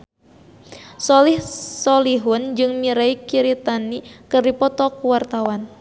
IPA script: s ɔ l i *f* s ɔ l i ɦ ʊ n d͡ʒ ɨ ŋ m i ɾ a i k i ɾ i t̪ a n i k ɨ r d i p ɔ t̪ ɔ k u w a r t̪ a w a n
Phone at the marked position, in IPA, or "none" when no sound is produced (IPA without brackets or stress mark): h